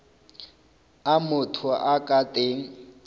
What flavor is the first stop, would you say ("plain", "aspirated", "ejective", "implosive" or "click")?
aspirated